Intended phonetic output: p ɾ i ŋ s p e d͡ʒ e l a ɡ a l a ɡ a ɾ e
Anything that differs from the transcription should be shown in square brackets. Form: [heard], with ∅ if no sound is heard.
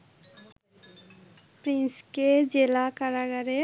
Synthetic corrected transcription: p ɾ i [n] s [k] e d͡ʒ e l a [k] a [ɾ] a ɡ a ɾ e